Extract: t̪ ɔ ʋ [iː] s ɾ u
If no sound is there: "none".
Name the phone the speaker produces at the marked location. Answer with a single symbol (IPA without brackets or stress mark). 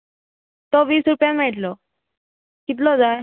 iː